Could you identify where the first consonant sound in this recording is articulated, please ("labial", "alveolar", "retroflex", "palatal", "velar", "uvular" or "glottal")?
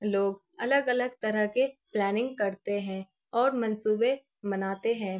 alveolar